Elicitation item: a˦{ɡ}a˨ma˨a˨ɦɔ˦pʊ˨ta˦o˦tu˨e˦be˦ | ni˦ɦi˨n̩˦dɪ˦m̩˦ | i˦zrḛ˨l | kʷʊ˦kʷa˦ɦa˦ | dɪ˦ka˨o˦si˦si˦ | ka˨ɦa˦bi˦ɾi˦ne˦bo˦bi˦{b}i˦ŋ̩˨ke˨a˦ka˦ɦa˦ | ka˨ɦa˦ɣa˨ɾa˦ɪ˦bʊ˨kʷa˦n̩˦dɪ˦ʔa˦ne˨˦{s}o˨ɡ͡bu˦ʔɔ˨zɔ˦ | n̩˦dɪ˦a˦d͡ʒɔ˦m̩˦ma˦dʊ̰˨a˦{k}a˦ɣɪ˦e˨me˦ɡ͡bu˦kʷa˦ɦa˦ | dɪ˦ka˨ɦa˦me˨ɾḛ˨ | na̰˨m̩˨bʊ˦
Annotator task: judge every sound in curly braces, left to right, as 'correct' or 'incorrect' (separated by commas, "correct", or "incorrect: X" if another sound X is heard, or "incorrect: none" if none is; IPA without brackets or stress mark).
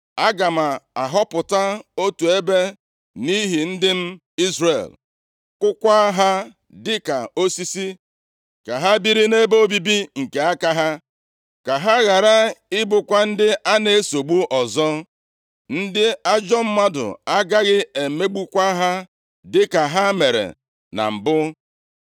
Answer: correct, correct, correct, incorrect: ɡ